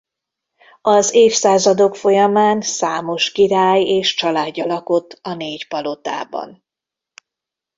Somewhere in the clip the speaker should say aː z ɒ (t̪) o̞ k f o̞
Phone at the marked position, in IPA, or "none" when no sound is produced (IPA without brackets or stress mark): d̪